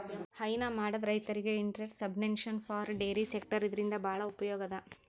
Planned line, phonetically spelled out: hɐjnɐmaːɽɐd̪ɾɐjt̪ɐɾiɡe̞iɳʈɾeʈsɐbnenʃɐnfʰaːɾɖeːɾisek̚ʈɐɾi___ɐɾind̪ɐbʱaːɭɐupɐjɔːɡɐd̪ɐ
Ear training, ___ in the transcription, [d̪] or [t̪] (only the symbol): d̪